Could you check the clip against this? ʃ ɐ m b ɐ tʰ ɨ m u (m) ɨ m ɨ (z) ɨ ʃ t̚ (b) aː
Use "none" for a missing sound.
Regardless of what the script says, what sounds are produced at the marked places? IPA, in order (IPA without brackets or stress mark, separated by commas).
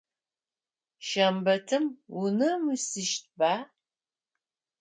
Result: n, s, b